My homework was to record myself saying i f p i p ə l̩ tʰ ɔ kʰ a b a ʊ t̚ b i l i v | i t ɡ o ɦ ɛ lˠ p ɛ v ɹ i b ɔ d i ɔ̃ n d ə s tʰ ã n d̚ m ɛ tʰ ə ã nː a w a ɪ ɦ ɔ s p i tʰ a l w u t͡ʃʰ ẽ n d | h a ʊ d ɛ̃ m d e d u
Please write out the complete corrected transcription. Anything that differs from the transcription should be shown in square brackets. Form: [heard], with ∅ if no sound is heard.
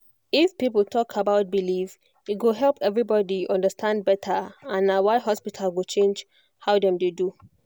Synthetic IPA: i f p i p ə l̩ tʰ ɔ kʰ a b a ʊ t̚ b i l i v | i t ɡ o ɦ ɛ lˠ p ɛ v ɹ i b ɔ d i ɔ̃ n d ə s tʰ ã n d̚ [b] ɛ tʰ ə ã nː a w a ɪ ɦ ɔ s p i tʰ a l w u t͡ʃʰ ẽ n [d͡ʒ] | h a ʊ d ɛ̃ m d e d u